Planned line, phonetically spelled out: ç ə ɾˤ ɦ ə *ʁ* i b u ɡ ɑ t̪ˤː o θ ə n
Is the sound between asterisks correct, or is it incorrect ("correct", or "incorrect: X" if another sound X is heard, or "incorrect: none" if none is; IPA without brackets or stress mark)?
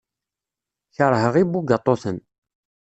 correct